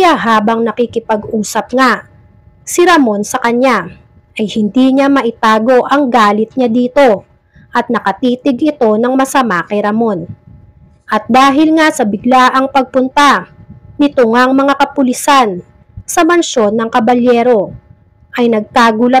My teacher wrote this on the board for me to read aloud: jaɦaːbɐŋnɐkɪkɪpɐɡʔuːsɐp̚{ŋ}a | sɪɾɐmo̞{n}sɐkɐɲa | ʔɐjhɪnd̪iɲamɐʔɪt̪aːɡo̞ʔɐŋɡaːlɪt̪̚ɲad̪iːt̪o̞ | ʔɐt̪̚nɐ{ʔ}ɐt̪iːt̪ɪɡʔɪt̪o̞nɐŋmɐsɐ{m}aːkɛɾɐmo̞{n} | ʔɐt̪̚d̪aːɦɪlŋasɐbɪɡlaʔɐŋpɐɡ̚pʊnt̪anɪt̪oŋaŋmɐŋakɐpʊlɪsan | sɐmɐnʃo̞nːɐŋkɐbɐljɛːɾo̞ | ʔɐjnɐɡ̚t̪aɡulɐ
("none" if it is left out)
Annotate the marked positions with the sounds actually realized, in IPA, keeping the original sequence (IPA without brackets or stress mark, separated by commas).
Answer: ŋ, n, k, m, n